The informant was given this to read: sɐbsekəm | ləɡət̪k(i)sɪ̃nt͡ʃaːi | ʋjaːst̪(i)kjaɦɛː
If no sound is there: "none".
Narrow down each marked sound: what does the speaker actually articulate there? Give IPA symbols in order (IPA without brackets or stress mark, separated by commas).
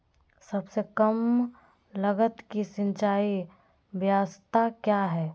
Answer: i, a